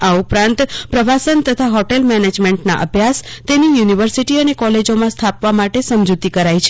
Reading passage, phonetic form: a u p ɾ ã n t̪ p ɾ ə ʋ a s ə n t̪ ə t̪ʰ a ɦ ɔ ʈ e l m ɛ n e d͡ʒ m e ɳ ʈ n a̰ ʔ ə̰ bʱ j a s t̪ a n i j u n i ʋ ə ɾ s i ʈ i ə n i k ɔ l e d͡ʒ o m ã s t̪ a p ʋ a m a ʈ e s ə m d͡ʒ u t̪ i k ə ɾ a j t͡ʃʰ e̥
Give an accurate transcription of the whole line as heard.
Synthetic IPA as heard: a u p ɾ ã n t̪ p ɾ ə ʋ a s ə n t̪ ə t̪ʰ a ɦ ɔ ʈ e l m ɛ n e d͡ʒ m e ɳ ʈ n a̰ ʔ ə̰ bʱ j a s t̪ e n i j u n i ʋ ə ɾ s i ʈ i ə n e k ɔ l e d͡ʒ o m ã s t̪ʰ a p ʋ a m a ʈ e s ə m d͡ʒ u t̪ i k ə ɾ a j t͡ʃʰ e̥